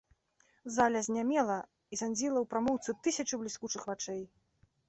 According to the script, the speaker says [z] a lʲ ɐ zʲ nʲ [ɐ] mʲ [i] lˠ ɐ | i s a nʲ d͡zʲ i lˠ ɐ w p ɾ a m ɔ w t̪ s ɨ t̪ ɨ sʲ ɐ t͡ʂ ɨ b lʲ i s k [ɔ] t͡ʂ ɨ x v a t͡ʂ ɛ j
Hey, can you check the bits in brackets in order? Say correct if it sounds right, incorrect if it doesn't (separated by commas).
correct, incorrect, incorrect, incorrect